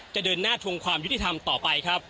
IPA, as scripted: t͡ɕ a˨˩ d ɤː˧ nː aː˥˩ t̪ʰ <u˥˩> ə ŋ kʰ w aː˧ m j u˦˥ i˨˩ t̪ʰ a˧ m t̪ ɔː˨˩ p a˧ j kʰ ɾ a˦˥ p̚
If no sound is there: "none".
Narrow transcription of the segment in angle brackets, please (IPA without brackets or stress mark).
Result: u˧